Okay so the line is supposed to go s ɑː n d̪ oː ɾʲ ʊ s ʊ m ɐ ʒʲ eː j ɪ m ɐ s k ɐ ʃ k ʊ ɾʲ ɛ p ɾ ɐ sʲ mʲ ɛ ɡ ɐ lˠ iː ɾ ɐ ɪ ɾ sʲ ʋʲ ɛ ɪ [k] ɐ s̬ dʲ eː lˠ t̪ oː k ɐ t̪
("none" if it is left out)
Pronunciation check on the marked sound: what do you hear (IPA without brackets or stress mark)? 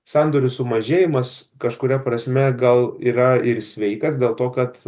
k